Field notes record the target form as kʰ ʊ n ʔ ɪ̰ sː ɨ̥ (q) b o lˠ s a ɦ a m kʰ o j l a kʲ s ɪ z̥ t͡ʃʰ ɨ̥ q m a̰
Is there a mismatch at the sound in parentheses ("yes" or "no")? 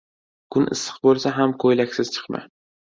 no